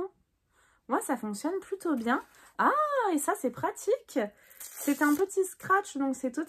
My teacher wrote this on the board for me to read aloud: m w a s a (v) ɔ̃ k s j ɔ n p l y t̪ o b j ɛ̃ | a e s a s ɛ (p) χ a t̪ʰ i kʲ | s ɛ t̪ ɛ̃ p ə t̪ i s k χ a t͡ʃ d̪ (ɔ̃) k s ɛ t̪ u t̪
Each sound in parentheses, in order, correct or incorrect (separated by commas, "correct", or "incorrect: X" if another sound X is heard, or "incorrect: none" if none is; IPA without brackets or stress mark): incorrect: f, correct, correct